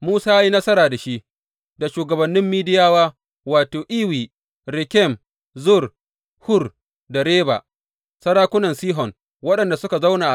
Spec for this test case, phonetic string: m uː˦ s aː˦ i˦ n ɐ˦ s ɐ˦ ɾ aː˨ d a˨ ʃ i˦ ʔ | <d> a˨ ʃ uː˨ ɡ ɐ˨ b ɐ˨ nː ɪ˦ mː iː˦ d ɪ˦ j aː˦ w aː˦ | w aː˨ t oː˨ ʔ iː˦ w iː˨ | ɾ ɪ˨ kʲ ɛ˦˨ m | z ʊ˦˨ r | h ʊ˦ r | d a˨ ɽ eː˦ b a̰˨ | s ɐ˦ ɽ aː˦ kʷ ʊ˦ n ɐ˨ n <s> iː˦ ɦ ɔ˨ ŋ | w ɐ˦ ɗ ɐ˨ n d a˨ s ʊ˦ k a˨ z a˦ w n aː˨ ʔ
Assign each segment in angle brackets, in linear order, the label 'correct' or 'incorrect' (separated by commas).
correct, correct